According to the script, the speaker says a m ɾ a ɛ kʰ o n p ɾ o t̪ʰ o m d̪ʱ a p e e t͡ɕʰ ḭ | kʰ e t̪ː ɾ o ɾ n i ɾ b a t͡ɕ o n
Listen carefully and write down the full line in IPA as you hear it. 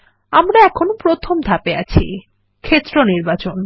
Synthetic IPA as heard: a m ɾ a ɛ kʰ o n p ɾ o t̪ʰ o m d̪ʱ a p e a t͡ɕʰ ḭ | kʰ e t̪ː ɾ o n i ɾ b a t͡ɕ o n